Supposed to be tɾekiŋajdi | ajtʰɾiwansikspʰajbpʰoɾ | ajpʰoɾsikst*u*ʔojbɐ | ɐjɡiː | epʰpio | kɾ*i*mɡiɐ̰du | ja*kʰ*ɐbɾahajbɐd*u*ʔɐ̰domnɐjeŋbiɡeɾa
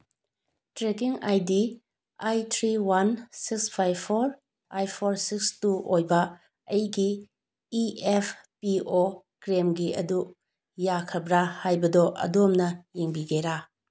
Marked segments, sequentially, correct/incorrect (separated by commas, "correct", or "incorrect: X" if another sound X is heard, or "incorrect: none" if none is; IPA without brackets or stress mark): correct, incorrect: e, correct, incorrect: ɔ